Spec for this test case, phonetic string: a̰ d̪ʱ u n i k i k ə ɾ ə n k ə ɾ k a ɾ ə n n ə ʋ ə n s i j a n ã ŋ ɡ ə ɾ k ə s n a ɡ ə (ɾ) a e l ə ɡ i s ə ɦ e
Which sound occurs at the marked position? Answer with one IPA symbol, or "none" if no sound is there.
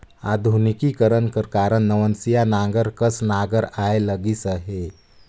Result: ɾ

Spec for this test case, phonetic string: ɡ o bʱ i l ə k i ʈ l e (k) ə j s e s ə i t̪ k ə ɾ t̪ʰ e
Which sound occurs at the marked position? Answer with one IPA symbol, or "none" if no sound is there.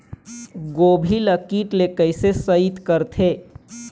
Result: k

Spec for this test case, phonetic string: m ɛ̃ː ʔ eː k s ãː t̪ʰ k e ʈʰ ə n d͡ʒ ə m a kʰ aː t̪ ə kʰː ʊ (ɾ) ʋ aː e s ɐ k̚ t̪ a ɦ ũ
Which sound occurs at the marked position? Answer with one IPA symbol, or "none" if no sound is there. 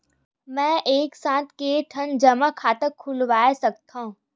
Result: l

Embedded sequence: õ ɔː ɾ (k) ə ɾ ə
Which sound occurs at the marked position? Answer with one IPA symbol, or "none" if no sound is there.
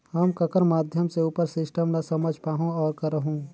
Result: k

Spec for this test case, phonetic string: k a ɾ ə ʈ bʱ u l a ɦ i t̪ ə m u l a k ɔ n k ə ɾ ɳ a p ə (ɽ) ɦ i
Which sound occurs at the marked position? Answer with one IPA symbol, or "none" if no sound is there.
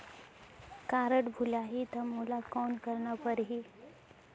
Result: ɾ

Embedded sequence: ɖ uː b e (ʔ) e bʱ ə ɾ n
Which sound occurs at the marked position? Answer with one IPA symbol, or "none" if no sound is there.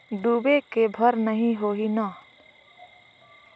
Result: k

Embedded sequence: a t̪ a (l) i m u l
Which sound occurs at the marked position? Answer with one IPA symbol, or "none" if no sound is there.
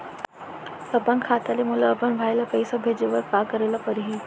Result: l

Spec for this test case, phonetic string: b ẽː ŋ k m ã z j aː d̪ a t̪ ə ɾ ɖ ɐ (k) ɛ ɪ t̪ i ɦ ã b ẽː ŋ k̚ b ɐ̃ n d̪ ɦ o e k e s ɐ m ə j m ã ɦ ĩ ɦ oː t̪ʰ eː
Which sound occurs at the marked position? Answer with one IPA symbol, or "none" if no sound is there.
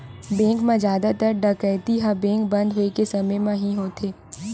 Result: k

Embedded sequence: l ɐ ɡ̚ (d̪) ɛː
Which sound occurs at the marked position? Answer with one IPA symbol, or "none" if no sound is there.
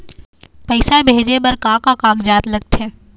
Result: t̪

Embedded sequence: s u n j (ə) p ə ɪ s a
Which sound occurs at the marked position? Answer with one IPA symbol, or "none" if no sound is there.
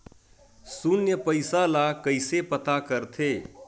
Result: ə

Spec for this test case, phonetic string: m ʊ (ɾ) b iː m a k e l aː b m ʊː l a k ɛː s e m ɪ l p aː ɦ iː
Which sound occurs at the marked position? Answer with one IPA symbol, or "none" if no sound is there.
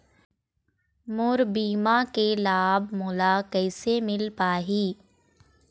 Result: ɾ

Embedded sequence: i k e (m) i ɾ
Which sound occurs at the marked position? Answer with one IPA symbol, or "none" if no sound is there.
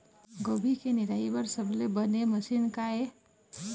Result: n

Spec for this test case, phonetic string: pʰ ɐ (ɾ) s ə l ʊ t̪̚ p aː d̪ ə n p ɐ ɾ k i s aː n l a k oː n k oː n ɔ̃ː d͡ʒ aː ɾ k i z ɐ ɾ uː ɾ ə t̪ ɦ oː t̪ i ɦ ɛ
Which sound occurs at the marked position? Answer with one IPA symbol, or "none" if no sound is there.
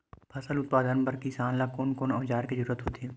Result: none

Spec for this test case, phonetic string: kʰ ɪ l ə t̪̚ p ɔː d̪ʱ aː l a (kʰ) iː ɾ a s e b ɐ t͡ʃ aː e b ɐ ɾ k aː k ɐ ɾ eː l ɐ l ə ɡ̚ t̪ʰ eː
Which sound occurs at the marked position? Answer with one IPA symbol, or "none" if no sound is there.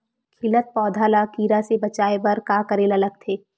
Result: k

